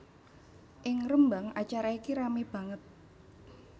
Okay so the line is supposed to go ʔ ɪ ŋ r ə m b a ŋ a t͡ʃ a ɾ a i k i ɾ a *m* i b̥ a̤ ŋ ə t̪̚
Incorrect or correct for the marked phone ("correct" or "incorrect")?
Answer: correct